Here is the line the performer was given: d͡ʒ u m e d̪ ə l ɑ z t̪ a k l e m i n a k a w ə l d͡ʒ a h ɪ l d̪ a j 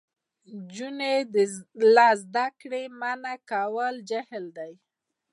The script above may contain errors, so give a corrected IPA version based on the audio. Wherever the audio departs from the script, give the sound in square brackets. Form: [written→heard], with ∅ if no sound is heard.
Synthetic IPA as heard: d͡ʒ u [m→n] e d̪ ə l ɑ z [t̪→d̪] a k [l→ɽ] e m [i→a] n a k a w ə l d͡ʒ a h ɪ l d̪ a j